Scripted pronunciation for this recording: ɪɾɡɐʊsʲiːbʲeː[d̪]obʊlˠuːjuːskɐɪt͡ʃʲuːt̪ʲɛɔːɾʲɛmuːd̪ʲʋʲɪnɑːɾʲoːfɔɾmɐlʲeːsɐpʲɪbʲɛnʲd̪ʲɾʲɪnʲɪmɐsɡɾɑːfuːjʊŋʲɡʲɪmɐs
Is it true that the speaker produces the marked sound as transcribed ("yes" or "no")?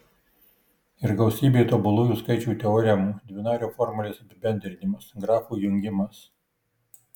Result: no